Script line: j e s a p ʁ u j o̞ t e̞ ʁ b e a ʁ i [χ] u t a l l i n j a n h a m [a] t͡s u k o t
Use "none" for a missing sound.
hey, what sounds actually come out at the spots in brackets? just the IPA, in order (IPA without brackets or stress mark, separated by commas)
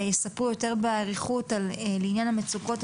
χ, e